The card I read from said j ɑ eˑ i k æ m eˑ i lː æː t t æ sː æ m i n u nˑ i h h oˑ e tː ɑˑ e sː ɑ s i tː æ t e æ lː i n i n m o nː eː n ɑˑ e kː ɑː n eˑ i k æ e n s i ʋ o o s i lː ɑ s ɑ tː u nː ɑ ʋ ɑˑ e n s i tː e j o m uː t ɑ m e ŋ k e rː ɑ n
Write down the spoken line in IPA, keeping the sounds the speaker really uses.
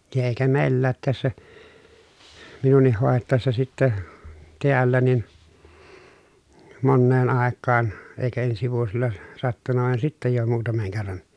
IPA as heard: j ɑ eˑ i k æ m eˑ i lː æː t t æ sː æ m i n u nˑ i h h oˑ e tː ɑˑ e sː ɑ s i tː æ t e æ lː æ n i n m o nː eː n ɑˑ e kː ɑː n eˑ i k æ e n s i ʋ u o s i lː ɑ s ɑ tː u nː ɑ ʋ ɑˑ e n s i tː æ j o m uː t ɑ m e ŋ k e rː ɑ n

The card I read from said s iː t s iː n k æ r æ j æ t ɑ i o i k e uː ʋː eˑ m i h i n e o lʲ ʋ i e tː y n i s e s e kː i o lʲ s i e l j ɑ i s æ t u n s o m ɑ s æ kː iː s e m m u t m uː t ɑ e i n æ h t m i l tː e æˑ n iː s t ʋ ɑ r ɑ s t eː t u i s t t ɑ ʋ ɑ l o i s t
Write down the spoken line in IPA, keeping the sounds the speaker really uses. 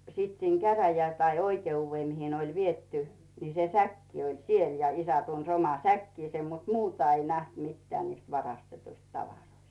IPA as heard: s iː t s iː n k æ r æ j æ t ɑ i o i k e uː ʋː eˑ m i h i n e o lʲ ʋ i e tː y n i s e s æ kː i o lʲ s i e l j ɑ i s æ t u n s o m ɑ s æ kː iː s e m m u t m uː t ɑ e i n æ h t m i tː e æˑ n iː s t ʋ ɑ r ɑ s t e t u i s t t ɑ ʋ ɑ r o i s t

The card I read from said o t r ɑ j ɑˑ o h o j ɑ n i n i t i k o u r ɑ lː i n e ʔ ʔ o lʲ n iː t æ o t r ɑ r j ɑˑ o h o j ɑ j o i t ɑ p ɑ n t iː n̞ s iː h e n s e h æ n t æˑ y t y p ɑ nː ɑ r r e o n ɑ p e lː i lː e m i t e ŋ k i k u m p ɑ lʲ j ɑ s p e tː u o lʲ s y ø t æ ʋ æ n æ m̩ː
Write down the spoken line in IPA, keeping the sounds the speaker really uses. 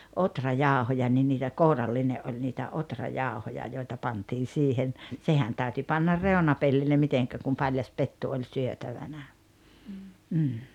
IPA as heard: o t r ɑ j ɑˑ o h o j ɑ n i n iː t æ k o u r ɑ lː i n e ʔ ʔ o lʲ n iː t æ o t r ɑ j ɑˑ o h o j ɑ j o i t ɑ p ɑ n t iː n̞ s iː h e n s e h æ n t æˑ y t y p ɑ nː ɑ r r e o n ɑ p e lː i lː e m i t e ŋ k æ k u m p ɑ lʲ j ɑ s p e tː u o lʲ s y ø t æ ʋ æ n æ m̩ː

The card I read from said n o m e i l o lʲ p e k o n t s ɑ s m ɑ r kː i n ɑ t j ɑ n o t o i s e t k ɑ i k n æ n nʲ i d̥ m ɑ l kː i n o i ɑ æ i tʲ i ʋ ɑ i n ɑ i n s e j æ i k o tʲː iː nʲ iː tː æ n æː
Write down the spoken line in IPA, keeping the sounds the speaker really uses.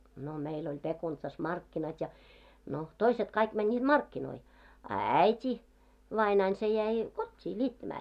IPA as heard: n o m e i l o lʲ p e k u n t s ɑ s m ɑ r kː i n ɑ t j ɑ n o t o i s e t k ɑ i k m æ n nʲ iː d̥ m ɑ r kː i n o i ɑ æ i tʲ i ʋ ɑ i n ɑ i n s e j æ i k o tʲː iː nʲ iː tː æ m æː

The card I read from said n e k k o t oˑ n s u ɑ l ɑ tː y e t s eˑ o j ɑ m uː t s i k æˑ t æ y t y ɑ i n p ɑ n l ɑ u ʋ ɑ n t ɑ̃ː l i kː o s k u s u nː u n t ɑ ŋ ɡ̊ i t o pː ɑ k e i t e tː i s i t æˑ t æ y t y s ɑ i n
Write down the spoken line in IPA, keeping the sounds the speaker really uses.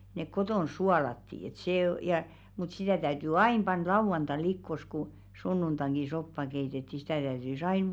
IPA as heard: n e k k o t oˑ n s u ɑ l ɑ tː i e t s eˑ o j ɑ m u t s i t æˑ t æ y t y ɑ i n p ɑ n l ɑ u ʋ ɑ n t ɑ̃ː l i kː o s k u s u nː u n t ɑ ŋ ɡ̊ i s o pː ɑ k e i t e tː i s i t æˑ t æ y t y s ɑ i n

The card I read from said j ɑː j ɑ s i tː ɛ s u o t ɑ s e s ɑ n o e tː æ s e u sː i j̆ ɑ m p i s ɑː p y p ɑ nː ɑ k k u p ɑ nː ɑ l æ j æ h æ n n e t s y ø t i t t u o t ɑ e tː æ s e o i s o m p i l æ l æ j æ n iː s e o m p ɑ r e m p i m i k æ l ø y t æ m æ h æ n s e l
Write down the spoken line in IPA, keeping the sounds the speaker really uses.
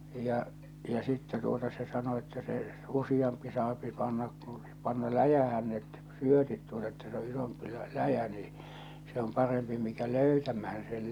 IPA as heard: j ɑ j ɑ s i tː ɛ t u o t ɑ s e s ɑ n o e tː æ s e u s i j̆ ɑ m p i s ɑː p i p ɑ nː ɑ k k u p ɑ nː ɑ l æ j æ h æ n n e t s y ø t i t t u o t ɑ e tː æ s e o i s o m p i l æ l æ j æ n iː s e o m p ɑ r e m p i m i k æ l ø y t æ m æ h æ n s e l

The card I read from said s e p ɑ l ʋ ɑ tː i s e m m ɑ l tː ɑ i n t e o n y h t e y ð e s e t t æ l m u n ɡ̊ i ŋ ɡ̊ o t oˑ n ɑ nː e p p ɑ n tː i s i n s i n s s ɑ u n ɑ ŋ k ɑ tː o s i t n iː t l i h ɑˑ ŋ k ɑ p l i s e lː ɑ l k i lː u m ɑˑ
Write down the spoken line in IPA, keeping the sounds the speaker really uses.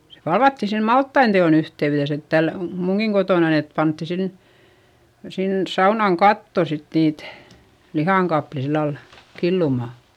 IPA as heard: s e p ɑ l ʋ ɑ tː i s e m m ɑ l tː ɑ i n t e o n y h t e y ð e s e t t æ l m u ŋ ɡ̊ i ŋ ɡ̊ o t oˑ n ɑ n e t p ɑ n tː i s i n s i n s s ɑ u n ɑ ŋ k ɑ tː o s i t n iː t l i h ɑˑ ŋ k ɑ p l i s i lː ɑ l k i lː u m ɑˑ

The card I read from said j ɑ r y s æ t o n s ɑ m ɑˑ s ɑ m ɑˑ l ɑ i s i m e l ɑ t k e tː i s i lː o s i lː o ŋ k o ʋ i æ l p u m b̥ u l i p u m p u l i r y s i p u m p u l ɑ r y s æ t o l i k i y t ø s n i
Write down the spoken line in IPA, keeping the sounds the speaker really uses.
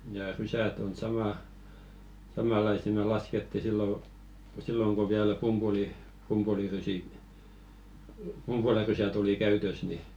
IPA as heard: j ɑ r y s æ t o n s ɑ m ɑˑ s ɑ m ɑˑ l ɑ i s i m e l ɑ s k e tː i s i lː o s i lː o ŋ k o ʋ i æ l p u m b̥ u l i p u m p u l i r y s i p u m p u l ɑ r y s æ t o l i k æ y t ø s n i

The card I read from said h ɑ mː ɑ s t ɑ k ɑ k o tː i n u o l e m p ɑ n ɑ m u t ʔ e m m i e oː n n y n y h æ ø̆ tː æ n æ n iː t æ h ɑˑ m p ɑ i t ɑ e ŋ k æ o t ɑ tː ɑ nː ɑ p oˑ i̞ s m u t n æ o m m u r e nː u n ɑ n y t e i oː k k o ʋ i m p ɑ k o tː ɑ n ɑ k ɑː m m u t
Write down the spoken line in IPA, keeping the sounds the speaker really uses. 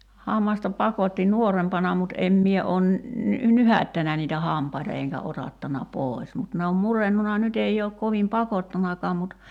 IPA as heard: h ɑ mː ɑ s t ɑ p ɑ k o tː i n u o r e m p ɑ n ɑ m u t ʔ e m m i e oː n n y n y h æ ø̆ tː æ n æ n iː t æ h ɑˑ m p ɑ i t ɑ e ŋ k æ o t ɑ tː ɑ n ɑ p oˑ i̞ s m u t n e o m m u r e nː u n ɑ n y t e i oː k k o ʋ i m p ɑ k o tː ɑ n ɑ k ɑː m m u t

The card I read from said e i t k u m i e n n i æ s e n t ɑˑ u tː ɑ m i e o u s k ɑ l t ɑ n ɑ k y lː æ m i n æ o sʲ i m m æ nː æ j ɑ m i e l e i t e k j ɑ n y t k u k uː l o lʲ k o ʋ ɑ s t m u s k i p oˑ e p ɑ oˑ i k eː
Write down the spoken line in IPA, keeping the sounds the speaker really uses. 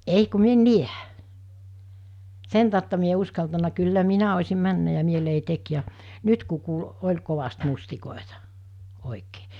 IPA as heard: e i k u m i e n n i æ s e n t ɑˑ u tː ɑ m i e o u s k ɑ l t ɑ n ɑ k y lː æ m i n æ o sʲ i m m æ nː æ j ɑ m i e l e i t e k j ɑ n y t k u k uː l o lʲ k o ʋ ɑ s t m u s t i k oˑ e t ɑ oˑ i k eː

